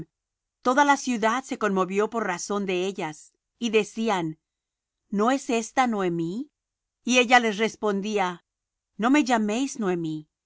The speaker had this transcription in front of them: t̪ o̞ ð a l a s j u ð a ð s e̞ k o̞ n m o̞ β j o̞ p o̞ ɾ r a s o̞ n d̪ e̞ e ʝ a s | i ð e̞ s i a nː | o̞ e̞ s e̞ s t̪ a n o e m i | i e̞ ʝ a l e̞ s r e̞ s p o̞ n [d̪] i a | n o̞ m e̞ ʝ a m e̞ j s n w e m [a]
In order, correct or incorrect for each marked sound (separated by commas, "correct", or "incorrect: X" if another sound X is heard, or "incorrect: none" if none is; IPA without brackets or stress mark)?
correct, incorrect: i